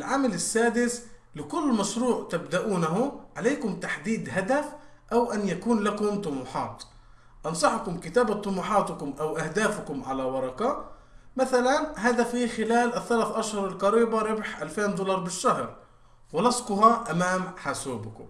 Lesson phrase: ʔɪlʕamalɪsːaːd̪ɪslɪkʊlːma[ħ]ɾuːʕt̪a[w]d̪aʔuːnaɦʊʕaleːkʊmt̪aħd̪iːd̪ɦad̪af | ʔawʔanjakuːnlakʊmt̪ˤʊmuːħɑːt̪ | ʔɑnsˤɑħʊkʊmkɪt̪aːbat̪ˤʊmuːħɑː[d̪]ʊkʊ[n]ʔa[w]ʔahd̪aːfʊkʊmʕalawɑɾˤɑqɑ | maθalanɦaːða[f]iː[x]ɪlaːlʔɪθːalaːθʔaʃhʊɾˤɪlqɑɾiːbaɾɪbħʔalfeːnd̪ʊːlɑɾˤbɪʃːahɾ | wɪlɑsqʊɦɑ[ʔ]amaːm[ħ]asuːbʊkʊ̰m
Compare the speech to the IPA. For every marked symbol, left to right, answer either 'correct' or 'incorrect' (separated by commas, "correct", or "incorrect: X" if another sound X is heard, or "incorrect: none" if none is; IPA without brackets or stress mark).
incorrect: ʃ, incorrect: b, incorrect: t̪, incorrect: m, correct, correct, correct, correct, correct